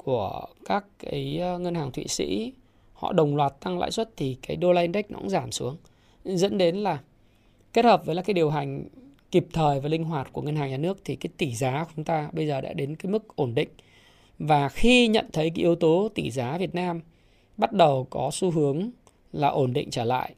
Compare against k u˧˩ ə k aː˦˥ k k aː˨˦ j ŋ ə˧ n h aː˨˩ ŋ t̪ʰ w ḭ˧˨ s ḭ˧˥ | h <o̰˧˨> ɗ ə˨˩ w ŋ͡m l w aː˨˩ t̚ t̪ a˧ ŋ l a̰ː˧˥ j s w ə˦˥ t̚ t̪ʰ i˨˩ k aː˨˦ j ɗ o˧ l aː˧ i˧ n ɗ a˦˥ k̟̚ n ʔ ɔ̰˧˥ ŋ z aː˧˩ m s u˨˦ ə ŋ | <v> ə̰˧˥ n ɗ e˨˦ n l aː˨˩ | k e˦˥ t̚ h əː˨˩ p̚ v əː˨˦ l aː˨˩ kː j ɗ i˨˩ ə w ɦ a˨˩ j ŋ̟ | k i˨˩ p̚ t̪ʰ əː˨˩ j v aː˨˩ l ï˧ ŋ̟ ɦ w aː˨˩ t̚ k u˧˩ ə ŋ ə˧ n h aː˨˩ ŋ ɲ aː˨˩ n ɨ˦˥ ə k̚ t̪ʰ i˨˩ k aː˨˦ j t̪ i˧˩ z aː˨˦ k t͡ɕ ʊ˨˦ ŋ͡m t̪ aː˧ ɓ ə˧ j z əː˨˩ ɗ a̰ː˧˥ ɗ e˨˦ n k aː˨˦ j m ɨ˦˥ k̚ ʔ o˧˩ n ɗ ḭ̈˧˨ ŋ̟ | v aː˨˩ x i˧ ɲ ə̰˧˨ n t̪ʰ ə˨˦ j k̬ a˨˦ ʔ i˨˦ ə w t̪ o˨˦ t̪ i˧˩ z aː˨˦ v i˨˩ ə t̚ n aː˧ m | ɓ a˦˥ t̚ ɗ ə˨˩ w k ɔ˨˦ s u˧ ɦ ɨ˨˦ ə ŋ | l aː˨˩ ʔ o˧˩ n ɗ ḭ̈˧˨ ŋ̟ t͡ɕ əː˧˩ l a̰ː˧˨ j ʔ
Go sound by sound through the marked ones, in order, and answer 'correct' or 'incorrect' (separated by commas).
incorrect, incorrect